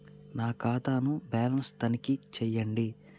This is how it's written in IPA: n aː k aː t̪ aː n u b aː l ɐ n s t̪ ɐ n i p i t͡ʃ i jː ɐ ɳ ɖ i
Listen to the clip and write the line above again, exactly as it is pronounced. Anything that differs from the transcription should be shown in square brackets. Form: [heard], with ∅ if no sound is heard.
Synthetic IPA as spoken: n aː k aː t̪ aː n u b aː l ɐ n s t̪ ɐ n i [k] i t͡ʃ [ɛ] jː ɐ ɳ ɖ i